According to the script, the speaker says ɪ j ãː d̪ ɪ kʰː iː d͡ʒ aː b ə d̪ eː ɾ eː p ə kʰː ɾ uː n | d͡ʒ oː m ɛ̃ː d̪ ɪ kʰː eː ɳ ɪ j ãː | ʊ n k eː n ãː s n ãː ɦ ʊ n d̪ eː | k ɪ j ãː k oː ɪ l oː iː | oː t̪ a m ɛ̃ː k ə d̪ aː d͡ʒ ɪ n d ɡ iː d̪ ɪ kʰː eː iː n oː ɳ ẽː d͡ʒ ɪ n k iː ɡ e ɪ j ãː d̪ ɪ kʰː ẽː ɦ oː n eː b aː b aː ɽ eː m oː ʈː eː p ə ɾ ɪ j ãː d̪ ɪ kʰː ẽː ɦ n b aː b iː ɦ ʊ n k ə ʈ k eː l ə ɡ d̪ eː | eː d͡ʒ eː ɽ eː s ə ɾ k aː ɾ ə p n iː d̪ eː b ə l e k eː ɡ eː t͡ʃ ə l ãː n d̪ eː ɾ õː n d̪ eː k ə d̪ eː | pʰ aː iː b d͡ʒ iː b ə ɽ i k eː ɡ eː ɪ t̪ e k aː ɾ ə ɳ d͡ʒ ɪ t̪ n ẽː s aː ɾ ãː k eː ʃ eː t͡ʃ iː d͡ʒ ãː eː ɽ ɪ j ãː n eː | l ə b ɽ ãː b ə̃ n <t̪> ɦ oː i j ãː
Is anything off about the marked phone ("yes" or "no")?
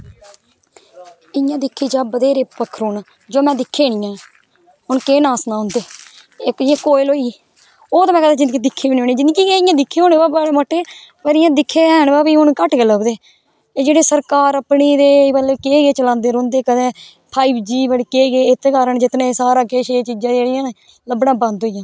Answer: yes